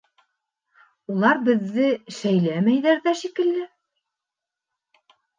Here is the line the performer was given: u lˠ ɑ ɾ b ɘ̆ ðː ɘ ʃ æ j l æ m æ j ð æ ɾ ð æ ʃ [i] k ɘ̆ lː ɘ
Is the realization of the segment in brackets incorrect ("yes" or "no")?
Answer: no